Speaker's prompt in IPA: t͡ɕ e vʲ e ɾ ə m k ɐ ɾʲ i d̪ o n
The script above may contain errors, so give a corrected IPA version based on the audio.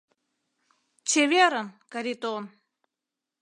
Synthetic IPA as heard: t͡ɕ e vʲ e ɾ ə n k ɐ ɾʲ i t̪ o n